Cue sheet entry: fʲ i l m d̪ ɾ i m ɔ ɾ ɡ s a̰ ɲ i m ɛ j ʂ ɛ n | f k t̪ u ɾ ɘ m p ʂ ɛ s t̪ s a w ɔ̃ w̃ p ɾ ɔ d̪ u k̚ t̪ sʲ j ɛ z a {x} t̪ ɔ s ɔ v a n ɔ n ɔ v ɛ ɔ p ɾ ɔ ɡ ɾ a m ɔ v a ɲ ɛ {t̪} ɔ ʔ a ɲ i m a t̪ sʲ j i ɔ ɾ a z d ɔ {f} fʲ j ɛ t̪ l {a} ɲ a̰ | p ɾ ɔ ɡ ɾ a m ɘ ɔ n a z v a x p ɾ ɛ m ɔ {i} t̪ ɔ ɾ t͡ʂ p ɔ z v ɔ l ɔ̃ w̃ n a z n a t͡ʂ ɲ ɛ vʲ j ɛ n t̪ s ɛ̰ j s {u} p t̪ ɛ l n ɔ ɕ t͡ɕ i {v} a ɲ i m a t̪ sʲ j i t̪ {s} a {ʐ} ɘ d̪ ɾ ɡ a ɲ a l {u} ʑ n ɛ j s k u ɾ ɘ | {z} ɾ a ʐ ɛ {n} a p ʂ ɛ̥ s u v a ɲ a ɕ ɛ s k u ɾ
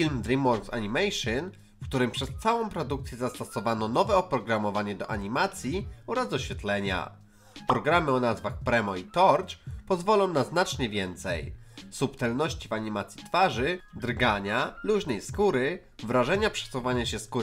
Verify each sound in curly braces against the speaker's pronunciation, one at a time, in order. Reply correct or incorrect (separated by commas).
incorrect, incorrect, incorrect, incorrect, correct, correct, correct, incorrect, correct, correct, incorrect, incorrect